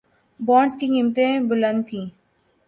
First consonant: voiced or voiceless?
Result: voiced